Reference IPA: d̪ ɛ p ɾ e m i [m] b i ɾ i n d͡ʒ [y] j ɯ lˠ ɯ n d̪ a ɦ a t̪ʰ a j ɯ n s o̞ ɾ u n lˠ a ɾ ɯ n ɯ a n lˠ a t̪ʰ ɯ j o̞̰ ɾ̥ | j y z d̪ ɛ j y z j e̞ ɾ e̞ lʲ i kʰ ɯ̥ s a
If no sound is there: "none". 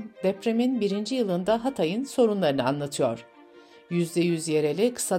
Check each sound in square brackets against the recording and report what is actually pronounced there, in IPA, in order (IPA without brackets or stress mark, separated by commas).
n, i